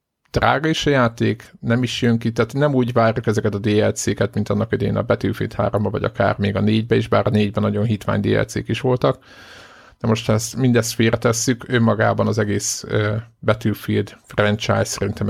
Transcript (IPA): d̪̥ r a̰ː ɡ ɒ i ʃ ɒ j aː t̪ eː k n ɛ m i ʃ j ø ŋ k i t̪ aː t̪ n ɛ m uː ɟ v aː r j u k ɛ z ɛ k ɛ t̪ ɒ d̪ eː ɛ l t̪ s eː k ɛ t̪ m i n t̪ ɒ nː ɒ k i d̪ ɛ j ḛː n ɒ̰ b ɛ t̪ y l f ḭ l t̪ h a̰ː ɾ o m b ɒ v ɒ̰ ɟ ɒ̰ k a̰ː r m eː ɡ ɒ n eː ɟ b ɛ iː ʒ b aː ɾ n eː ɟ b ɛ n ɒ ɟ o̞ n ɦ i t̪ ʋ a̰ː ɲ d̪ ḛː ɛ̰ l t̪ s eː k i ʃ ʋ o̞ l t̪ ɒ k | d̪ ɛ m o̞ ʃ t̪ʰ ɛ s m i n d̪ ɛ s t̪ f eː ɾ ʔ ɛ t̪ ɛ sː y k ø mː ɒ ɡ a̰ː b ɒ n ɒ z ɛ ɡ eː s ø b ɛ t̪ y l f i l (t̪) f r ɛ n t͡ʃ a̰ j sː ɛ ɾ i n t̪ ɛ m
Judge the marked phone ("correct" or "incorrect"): incorrect